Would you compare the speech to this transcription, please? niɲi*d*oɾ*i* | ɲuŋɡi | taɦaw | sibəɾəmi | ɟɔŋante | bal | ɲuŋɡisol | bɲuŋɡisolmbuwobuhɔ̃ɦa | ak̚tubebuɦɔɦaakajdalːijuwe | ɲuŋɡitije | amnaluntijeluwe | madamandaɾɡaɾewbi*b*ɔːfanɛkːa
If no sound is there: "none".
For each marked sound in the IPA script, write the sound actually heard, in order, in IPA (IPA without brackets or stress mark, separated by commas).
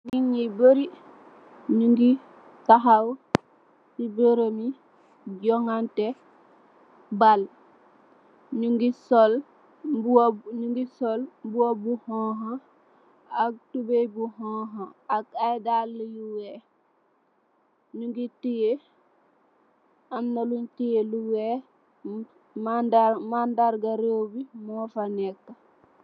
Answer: b, i, m